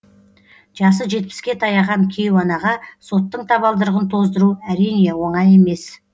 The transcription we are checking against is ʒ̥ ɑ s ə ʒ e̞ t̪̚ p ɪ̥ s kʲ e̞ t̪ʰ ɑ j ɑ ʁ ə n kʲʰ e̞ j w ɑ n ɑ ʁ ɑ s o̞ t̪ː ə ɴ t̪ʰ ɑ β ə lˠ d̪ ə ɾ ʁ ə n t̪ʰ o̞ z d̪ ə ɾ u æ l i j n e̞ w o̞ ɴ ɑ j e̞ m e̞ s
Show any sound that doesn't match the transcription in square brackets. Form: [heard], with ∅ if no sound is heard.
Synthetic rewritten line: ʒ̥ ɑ s ə ʒ e̞ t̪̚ p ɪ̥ s kʲ e̞ t̪ʰ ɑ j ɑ ʁ [ɑ] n kʲʰ e̞ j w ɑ n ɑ ʁ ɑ s o̞ t̪ː ə ɴ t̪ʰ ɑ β [ɑ] lˠ d̪ ə ɾ ʁ ə n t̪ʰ o̞ z d̪ ə ɾ u æ [ɾ] i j n e̞ w o̞ ɴ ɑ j e̞ m e̞ s